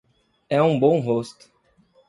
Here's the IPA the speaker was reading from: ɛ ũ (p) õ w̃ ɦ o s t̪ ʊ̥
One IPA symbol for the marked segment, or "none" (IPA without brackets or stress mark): b